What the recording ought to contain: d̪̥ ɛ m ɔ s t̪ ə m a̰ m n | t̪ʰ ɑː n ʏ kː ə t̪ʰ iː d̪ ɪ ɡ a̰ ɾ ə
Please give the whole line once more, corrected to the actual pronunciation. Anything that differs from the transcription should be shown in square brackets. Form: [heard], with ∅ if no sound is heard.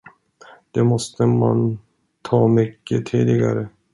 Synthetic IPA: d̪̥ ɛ m ɔ s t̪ ə m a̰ [∅] n | t̪ʰ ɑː [m] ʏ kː ə t̪ʰ iː d̪ ɪ ɡ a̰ ɾ ə

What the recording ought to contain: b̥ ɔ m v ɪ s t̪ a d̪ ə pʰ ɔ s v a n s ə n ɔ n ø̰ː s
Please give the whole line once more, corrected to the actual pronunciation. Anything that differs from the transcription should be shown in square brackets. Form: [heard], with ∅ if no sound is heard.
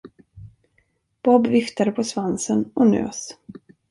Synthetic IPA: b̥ ɔ [b] v ɪ [f] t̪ a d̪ ə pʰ ɔ s v a n s ə n ɔ n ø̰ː s

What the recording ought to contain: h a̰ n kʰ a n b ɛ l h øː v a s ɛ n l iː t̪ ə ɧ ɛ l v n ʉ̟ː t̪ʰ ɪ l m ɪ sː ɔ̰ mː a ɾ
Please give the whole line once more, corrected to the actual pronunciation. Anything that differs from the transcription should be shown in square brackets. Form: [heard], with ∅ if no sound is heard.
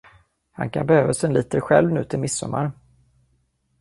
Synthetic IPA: h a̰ n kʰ a n b ɛ [∅] h øː v a s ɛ n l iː t̪ ə ɧ ɛ l v n ʉ̟ː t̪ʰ ɪ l m ɪ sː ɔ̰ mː a ɾ

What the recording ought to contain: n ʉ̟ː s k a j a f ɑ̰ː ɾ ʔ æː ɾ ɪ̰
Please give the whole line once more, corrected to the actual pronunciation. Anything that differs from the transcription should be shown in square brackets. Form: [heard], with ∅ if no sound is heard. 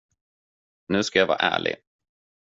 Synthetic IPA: n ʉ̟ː s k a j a [v] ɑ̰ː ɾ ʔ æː [ɭ] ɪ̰

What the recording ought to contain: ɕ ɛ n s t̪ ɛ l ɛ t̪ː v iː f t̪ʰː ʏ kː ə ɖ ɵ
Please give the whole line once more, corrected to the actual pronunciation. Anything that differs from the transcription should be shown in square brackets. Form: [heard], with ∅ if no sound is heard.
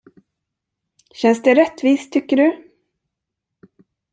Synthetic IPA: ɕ ɛ n s [d̪] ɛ [ɾ] ɛ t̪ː v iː [s] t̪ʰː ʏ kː ə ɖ ɵ

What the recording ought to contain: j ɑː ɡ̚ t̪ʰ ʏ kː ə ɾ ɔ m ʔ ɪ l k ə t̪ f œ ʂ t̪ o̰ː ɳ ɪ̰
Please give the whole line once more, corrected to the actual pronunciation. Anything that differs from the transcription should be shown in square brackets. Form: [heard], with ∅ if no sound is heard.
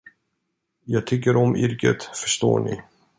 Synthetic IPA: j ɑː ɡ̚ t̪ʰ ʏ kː ə ɾ ɔ m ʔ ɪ [ɾ] k ə t̪ f œ ʂ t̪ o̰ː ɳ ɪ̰

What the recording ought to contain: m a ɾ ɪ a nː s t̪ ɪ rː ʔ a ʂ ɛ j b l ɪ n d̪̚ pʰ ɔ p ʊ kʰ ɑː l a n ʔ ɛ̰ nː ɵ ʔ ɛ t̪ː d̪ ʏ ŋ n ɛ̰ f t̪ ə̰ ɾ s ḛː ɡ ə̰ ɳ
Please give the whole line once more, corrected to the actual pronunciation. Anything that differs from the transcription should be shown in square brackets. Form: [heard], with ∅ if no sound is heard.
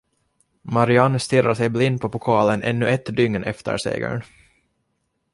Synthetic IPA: m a ɾ ɪ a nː s t̪ ɪ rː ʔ a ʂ ɛ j b l ɪ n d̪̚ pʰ ɔ p ʊ kʰ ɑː l [ə] n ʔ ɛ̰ nː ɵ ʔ ɛ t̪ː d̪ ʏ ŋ n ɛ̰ f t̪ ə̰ ɾ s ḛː ɡ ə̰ ɳ

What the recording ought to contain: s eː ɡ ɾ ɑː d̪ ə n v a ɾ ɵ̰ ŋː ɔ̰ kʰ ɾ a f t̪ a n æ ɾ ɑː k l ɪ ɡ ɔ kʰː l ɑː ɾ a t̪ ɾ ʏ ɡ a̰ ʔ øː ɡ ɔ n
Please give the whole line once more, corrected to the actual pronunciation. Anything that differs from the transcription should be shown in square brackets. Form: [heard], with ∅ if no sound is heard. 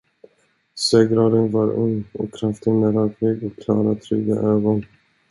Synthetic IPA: s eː ɡ ɾ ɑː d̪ ə n v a ɾ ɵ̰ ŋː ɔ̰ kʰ ɾ a f t̪ [ə] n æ ɾ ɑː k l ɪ ɡ ɔ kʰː l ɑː ɾ a [t̪ʰ] ɾ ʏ ɡ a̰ ʔ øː ɡ ɔ n

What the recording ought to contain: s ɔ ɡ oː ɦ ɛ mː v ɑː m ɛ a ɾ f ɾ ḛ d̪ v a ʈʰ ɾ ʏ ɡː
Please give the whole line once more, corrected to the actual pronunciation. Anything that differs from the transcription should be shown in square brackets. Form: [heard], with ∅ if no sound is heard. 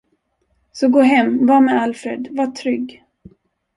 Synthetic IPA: s ɔ ɡ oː ɦ ɛ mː v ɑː m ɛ a [l] f ɾ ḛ d̪ v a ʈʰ ɾ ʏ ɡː

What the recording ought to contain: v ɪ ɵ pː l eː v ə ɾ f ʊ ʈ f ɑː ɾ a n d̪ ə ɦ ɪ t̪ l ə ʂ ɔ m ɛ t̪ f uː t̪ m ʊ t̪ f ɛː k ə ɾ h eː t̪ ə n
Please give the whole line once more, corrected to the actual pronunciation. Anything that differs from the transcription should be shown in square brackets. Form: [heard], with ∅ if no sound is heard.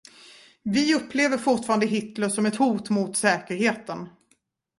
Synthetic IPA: v ɪ ɵ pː l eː v ə ɾ f ʊ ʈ f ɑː ɾ a n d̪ ə ɦ ɪ t̪ l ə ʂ ɔ m ɛ t̪ [h] uː t̪ m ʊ t̪ [s] ɛː k ə ɾ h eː t̪ ə n

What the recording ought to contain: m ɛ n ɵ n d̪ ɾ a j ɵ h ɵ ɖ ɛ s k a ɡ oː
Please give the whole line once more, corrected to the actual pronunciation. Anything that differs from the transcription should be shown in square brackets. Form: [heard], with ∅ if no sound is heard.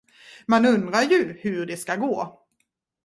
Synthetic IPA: m [a] n ɵ n d̪ ɾ a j ɵ h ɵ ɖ ɛ s k a ɡ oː

